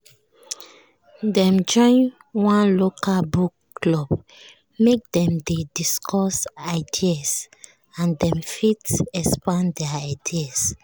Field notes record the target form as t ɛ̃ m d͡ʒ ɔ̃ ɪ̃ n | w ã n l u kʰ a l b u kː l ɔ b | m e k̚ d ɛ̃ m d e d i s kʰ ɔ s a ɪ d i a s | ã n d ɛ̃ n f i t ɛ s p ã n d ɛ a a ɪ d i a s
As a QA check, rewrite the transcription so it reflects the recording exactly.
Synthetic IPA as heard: d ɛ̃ m d͡ʒ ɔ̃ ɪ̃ n | w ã n l o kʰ a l b u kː l ɔ b | m e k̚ d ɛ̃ m d e d i s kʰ ɔ s a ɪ d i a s | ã n d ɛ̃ m f i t ɛ s p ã n d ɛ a a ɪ d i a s